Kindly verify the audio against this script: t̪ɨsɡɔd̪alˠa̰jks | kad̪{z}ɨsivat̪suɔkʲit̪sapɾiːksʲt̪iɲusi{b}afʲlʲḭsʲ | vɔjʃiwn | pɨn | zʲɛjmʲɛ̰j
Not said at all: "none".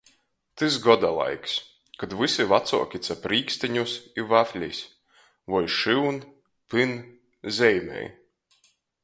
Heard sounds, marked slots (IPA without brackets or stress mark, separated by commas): v, v